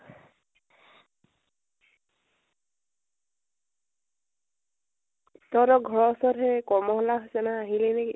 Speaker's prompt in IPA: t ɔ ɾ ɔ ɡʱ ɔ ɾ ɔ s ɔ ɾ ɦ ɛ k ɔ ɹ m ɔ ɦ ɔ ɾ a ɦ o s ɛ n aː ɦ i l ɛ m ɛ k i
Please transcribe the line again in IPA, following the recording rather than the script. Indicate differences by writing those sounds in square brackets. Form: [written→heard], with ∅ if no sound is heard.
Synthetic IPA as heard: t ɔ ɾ ɔ ɡʱ ɔ [ɾ→ɹ] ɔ s ɔ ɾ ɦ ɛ k ɔ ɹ m ɔ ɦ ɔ [ɾ→l] a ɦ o s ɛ n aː ɦ i l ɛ [m→n] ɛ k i

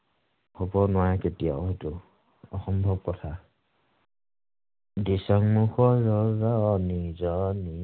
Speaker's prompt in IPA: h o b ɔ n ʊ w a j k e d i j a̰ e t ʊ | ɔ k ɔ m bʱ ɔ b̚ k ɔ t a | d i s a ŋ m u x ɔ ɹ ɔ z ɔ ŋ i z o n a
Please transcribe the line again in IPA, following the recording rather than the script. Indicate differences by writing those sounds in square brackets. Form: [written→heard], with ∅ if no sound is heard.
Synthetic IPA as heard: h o b ɔ n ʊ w a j k e [d→t] i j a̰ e t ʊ | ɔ [k→x] ɔ m bʱ ɔ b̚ k ɔ [t→tʰ] a | d i s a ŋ m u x ɔ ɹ ɔ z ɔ [ŋ→n] i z [o→ɔ] n [a→i]

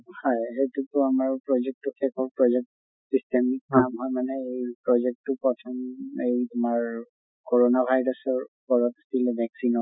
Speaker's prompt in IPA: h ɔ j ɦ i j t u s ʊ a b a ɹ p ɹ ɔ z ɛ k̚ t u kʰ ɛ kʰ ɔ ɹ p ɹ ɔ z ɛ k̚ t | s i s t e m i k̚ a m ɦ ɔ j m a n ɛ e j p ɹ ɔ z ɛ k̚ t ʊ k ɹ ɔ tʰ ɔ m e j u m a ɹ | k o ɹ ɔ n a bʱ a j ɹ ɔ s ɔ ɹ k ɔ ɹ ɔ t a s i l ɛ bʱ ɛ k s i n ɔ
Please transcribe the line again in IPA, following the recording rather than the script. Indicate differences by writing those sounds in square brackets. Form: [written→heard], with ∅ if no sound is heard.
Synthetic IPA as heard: h ɔ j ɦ [i→e] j t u [s→t] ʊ a [b→m] a ɹ p ɹ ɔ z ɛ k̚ t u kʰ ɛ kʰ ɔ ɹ p ɹ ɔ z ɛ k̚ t | s i s t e m i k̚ a m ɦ ɔ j m a n ɛ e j p ɹ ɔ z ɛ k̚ t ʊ [k→p] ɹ ɔ tʰ ɔ m e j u m a ɹ | k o ɹ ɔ n a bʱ a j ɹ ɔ s ɔ ɹ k ɔ ɹ ɔ t a s i l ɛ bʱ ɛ k s i n ɔ

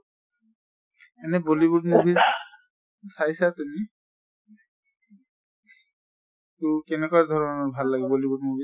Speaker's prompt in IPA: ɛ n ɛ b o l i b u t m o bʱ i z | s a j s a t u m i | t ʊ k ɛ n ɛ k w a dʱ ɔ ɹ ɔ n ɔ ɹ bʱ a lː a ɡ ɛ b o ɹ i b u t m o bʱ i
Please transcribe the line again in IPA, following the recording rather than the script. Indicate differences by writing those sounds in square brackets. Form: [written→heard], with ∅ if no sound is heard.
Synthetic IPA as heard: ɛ n ɛ b o l i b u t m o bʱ i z | s a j s a t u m i | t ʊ k ɛ n ɛ k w a dʱ ɔ ɹ ɔ n ɔ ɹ bʱ a lː a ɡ ɛ b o [ɹ→l] i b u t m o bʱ i

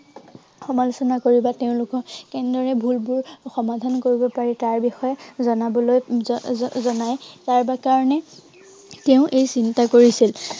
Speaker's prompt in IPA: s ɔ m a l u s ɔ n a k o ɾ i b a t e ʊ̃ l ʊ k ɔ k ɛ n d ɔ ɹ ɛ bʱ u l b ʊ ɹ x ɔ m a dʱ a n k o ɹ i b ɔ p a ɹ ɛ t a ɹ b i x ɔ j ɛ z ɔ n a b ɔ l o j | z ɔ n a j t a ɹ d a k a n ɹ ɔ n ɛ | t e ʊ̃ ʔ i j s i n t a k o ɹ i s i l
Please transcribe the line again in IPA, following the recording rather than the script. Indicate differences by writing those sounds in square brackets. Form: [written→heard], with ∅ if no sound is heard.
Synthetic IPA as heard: [s→x] ɔ m a l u s ɔ n a k o [ɾ→ɹ] i b a t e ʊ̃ l ʊ k ɔ k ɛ n d ɔ ɹ ɛ bʱ u l b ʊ ɹ x ɔ m a dʱ a n k o ɹ i b ɔ p a ɹ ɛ t a ɹ b i x ɔ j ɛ z ɔ n a b ɔ l o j | z ɔ n a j t a ɹ [d→b] a k a [n→∅] ɹ ɔ n ɛ | t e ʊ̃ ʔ [i→e] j s i n t a k o ɹ i s i l

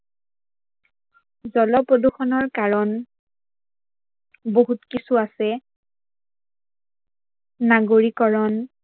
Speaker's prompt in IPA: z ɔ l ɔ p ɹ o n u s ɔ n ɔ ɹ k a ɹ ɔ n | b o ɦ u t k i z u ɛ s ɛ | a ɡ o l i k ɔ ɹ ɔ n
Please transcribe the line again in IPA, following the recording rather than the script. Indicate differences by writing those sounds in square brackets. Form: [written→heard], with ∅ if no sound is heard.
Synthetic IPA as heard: z ɔ l ɔ p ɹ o [n→d] u [s→x] ɔ n ɔ ɹ k a ɹ ɔ n | b o ɦ u t k i [z→s] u [ɛ→a] s ɛ | a ɡ o [l→ɹ] i k ɔ ɹ ɔ n

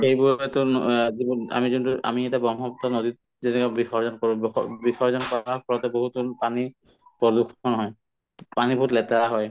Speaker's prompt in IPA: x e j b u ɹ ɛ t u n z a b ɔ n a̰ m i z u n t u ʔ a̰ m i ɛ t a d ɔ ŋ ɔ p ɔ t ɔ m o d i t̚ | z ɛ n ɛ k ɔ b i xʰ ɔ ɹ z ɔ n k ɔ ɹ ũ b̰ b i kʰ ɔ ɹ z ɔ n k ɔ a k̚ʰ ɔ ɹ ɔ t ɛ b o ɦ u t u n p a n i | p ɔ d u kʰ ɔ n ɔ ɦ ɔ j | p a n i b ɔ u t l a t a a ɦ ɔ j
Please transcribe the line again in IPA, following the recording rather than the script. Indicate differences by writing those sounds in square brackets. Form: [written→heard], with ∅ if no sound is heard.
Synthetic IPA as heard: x e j b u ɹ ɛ t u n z [a→i] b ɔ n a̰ m i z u n t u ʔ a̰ m i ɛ t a [d→b] ɔ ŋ ɔ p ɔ t ɔ [m→n] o d i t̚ | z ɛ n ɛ k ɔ b i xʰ ɔ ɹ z ɔ n k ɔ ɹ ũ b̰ b i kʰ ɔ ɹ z ɔ n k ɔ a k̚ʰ ɔ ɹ ɔ t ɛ b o ɦ u t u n p a n i | p ɔ d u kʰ ɔ n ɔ ɦ ɔ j | p a n i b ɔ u t l [a→ɛ] t a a ɦ ɔ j

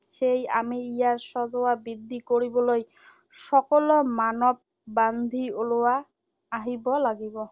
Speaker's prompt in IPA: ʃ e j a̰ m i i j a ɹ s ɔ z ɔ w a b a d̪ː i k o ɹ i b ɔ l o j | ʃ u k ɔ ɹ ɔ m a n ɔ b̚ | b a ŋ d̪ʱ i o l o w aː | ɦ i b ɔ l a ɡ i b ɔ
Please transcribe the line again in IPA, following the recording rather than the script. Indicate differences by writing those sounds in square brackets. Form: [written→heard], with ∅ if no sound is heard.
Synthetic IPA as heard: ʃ e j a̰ m i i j a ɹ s ɔ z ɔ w a b [a→i] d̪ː i k o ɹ i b ɔ l o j | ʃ [u→ɔ] k ɔ [ɹ→l] ɔ m a n ɔ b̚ | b a [ŋ→n] d̪ʱ i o l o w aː | ɦ i b ɔ l a ɡ i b ɔ

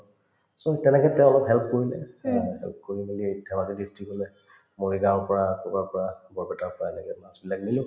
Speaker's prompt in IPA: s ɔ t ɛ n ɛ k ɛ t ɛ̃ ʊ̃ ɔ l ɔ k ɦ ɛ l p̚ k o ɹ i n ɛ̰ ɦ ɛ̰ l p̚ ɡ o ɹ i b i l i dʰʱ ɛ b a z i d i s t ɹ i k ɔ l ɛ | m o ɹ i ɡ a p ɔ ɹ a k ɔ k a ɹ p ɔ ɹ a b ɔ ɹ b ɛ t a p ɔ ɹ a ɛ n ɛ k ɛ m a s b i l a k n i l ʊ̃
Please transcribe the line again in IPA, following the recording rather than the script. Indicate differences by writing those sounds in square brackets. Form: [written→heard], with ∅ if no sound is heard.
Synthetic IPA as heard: s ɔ t ɛ n ɛ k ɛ t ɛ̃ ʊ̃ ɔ l ɔ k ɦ ɛ l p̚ k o ɹ i n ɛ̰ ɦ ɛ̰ l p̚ [ɡ→k] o ɹ i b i l i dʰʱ ɛ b a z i d i s t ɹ i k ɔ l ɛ | m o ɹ i ɡ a p ɔ ɹ a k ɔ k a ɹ p ɔ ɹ a b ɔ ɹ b ɛ t a p ɔ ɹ a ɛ n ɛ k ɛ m a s b i l a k n i l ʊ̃

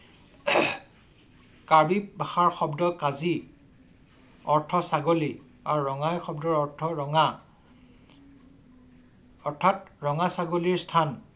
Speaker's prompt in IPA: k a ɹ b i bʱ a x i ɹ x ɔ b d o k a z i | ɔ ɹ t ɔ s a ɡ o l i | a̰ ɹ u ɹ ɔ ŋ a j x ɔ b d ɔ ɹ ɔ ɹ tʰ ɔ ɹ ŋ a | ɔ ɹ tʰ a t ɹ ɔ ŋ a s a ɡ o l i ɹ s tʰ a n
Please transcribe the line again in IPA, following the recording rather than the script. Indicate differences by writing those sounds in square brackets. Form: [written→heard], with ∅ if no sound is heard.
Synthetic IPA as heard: k a ɹ b i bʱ a x [i→a] ɹ x ɔ b d [o→ɔ] k a z i | ɔ ɹ [t→tʰ] ɔ s a ɡ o l i | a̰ ɹ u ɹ ɔ ŋ a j x ɔ b d ɔ ɹ ɔ ɹ tʰ ɔ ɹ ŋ a | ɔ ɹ tʰ a t ɹ ɔ ŋ a s a ɡ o l i ɹ s tʰ a n

